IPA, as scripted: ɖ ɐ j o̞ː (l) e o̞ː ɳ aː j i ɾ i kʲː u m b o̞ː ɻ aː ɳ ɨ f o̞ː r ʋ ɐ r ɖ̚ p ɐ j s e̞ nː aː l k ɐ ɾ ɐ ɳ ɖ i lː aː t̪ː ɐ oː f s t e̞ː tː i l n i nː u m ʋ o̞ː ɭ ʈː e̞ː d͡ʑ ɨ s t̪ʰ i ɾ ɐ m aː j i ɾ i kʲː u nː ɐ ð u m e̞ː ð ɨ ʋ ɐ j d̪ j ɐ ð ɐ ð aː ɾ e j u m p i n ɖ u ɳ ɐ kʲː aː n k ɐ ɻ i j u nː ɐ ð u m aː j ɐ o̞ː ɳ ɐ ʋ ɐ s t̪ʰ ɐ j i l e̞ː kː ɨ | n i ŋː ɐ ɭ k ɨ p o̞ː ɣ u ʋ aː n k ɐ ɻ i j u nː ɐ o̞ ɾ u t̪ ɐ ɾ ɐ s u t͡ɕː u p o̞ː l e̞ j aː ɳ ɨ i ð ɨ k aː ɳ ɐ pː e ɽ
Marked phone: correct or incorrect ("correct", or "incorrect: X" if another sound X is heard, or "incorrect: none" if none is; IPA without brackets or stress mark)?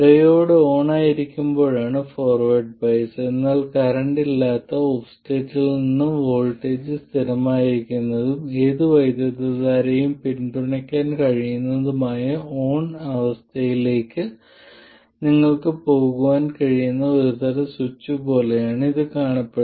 incorrect: ɽ